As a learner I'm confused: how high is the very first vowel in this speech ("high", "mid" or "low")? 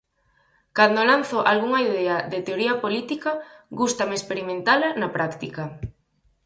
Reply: low